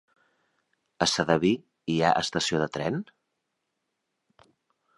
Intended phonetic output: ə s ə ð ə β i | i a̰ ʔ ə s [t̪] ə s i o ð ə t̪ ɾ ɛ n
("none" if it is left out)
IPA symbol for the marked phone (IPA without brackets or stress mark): t̪